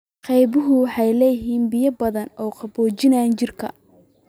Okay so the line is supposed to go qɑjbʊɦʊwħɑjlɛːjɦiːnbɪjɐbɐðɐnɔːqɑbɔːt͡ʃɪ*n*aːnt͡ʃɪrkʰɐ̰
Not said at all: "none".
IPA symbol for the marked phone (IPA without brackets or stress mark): n